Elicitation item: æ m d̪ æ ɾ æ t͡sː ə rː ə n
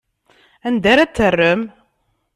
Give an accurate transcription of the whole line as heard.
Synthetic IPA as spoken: æ n d̪ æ ɾ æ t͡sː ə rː ə m

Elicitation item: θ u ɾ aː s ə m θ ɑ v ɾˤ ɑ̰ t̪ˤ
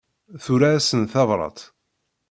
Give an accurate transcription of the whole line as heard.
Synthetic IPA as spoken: θ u ɾ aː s ə n θ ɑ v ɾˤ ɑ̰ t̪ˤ

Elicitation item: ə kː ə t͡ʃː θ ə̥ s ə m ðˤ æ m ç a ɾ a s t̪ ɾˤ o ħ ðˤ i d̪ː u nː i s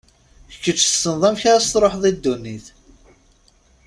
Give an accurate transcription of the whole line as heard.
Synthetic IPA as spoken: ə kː ə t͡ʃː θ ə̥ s ə n ðˤ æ m ç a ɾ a s t̪ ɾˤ o ħ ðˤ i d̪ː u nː i θ

